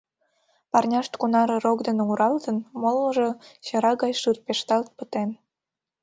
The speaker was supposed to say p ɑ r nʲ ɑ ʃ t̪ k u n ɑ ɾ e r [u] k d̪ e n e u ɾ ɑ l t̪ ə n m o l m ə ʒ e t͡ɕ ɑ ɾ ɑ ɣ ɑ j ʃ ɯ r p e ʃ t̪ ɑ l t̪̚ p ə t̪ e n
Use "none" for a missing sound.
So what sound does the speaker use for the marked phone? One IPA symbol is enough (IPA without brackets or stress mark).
o